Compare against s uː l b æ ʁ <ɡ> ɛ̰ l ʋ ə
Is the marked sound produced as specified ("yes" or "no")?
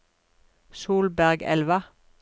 yes